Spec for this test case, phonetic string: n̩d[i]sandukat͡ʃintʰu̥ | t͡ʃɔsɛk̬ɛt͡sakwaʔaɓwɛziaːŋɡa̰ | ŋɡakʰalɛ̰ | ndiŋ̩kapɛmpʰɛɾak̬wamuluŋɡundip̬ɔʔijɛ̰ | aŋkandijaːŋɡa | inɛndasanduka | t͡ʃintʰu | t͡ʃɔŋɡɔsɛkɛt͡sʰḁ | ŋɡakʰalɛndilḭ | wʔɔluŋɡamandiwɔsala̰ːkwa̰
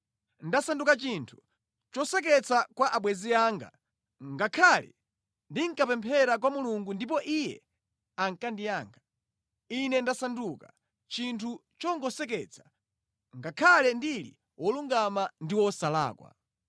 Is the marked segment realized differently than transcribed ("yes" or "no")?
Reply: yes